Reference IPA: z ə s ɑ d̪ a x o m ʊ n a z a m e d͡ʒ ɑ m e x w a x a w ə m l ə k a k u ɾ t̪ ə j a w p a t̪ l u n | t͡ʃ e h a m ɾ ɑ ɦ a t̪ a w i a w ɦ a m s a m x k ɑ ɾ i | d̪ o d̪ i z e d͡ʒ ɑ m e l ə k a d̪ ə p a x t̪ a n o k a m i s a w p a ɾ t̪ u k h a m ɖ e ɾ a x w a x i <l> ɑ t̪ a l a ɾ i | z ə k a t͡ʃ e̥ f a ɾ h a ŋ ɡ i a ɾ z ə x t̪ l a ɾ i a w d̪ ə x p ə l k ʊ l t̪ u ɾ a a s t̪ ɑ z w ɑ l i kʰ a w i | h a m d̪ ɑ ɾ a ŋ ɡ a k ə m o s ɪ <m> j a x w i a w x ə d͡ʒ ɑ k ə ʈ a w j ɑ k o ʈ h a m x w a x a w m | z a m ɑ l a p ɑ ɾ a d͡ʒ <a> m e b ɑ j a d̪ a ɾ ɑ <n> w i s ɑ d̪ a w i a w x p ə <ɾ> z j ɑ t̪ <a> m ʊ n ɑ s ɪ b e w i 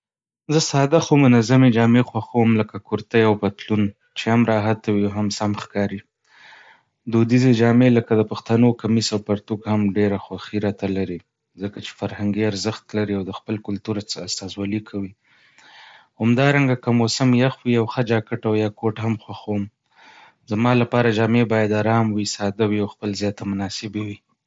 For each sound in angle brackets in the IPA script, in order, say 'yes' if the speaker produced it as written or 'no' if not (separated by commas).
no, yes, no, no, no, yes